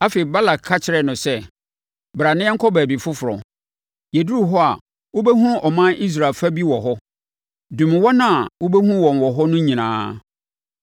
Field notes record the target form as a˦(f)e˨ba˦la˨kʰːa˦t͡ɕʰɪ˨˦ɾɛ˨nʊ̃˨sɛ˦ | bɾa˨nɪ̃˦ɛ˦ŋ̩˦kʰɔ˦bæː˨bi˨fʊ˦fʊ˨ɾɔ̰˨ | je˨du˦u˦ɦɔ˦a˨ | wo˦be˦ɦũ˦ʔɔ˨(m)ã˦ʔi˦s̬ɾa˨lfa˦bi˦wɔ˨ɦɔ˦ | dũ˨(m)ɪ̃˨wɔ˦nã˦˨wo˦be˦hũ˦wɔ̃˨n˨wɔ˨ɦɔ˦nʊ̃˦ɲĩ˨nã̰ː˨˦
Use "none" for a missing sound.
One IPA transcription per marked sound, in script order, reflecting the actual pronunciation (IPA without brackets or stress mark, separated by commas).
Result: f, m, m